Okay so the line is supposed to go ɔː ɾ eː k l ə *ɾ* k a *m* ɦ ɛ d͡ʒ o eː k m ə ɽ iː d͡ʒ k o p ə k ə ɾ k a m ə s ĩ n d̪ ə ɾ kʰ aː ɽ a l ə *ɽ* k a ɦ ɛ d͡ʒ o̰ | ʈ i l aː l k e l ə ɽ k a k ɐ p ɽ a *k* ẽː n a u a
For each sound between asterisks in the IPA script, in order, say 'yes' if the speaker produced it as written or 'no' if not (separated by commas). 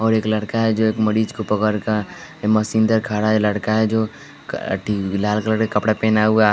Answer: no, no, yes, no